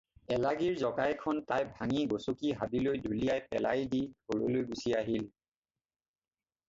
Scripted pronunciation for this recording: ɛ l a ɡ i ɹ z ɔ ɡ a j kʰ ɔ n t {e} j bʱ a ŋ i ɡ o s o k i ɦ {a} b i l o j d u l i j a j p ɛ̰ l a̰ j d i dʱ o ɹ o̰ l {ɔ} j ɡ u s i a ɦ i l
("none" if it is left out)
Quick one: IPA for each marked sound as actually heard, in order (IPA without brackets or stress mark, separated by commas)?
a, a, o